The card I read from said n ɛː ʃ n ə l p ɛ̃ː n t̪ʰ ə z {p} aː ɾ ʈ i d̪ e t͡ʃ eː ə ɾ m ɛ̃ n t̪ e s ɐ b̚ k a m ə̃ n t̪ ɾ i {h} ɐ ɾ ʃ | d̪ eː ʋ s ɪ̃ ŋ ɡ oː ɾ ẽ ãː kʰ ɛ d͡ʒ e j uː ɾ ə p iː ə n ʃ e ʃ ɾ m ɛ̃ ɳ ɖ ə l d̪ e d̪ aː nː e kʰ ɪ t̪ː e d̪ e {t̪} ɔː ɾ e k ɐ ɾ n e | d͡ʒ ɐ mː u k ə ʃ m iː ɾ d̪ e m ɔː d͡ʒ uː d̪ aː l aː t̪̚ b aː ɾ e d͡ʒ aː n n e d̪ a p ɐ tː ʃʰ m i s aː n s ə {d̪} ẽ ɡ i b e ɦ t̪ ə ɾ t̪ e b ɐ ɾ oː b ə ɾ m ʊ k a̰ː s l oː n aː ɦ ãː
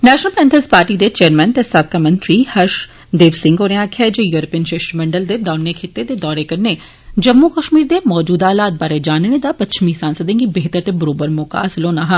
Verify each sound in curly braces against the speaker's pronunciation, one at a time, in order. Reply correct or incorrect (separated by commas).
correct, correct, incorrect, correct